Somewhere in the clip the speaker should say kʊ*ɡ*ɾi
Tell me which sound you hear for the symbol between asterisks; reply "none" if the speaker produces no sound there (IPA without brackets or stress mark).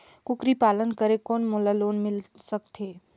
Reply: k